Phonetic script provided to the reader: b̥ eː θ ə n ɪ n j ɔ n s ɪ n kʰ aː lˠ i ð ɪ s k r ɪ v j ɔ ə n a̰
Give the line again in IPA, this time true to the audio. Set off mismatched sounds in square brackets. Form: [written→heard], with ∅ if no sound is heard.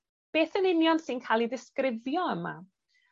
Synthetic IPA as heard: b̥ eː θ ə n ɪ n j ɔ n s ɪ n kʰ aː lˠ i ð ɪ s k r ɪ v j ɔ ə [n→m] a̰